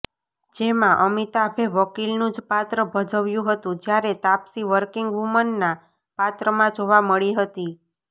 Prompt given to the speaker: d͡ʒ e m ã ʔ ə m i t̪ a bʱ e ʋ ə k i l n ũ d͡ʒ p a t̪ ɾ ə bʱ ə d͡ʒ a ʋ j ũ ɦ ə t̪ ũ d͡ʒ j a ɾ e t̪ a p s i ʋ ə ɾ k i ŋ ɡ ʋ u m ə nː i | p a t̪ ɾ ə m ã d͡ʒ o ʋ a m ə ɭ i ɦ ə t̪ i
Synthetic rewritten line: d͡ʒ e m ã ʔ ə m i t̪ a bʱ e ʋ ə k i l n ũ d͡ʒ p a t̪ ɾ ə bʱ ə d͡ʒ ə ʋ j ũ ɦ ə t̪ ũ d͡ʒ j a ɾ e t̪ a p s i ʋ ə ɾ k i ŋ ɡ ʋ u m ə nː a | p a t̪ ɾ ə m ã d͡ʒ o ʋ a m ə ɭ i ɦ ə t̪ i